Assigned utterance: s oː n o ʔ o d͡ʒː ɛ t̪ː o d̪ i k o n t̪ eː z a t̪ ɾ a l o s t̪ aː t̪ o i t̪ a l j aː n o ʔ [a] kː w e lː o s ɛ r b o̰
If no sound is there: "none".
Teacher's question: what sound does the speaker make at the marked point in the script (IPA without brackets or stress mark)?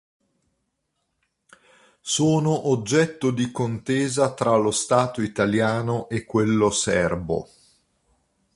e